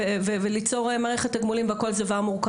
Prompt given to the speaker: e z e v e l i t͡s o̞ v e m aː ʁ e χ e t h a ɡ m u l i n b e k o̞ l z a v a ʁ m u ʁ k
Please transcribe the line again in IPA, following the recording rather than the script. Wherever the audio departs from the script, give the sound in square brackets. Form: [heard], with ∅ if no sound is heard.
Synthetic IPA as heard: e [v] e v e l i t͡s o̞ [ʁ] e m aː ʁ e χ e t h a ɡ m u l i [m] b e k o̞ l z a v a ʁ m u ʁ k